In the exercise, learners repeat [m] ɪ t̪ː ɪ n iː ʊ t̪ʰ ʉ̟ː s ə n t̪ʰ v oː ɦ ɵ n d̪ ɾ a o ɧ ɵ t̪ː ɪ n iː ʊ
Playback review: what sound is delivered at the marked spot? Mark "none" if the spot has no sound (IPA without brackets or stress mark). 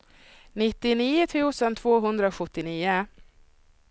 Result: n